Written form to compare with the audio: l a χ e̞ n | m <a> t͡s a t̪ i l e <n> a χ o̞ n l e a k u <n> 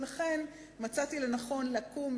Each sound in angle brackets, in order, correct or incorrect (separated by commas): correct, correct, incorrect